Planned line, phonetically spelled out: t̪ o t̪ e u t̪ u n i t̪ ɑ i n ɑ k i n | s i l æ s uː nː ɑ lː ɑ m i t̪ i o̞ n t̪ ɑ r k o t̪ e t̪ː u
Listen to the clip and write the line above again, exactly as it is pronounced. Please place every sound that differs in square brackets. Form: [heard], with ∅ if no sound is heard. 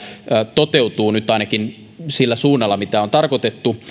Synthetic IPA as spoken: t̪ o t̪ e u t̪ [uː] n [y] t̪ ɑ i n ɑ k i n | s i [lː] æ s uː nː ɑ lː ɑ m i t̪ [æ] o̞ n t̪ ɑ r k o t̪ e t̪ː u